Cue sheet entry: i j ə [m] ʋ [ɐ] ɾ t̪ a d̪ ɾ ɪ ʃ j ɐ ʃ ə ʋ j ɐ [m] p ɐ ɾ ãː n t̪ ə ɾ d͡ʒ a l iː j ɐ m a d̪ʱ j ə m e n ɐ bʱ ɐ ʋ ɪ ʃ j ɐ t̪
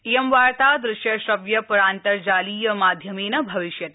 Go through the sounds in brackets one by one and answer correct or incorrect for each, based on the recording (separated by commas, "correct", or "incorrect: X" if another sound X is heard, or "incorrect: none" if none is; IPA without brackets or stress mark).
correct, incorrect: a, incorrect: none